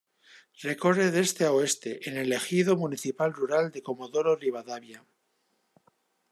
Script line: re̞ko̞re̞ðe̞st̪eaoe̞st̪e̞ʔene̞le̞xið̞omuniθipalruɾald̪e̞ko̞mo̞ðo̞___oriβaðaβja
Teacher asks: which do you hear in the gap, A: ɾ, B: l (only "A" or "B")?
A